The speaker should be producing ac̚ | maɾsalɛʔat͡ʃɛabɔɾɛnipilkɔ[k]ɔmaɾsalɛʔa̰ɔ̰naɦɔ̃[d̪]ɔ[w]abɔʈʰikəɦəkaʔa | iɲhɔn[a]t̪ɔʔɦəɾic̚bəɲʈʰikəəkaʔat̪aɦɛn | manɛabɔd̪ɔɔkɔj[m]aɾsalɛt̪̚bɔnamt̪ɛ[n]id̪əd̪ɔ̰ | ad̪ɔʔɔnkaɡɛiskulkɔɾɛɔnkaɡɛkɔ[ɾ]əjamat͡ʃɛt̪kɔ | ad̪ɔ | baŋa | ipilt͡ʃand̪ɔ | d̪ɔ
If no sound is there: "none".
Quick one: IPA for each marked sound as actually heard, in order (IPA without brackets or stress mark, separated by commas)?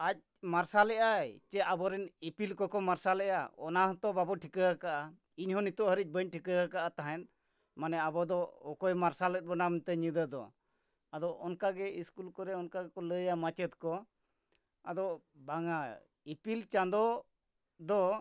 k, t̪, b, i, m, ɲ, l